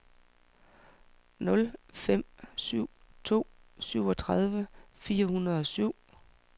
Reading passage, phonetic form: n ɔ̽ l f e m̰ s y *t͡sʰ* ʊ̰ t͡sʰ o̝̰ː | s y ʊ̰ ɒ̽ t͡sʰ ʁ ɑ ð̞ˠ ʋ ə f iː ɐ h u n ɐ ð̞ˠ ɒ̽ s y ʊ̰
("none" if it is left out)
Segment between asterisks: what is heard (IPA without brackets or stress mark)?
none